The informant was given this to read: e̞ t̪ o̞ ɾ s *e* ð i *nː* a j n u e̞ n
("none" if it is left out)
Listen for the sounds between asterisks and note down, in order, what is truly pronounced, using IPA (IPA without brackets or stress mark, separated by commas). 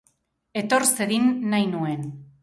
e, nː